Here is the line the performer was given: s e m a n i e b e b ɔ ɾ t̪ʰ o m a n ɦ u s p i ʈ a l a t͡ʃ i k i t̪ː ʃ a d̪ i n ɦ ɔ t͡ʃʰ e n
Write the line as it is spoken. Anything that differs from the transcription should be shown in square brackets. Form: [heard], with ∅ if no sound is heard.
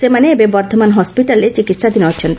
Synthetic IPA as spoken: s e m a n [e] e b e b ɔ ɾ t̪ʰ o m a n ɦ [ɔ] s p i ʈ a l [e] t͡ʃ i k i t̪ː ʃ a d̪ i n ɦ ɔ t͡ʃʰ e n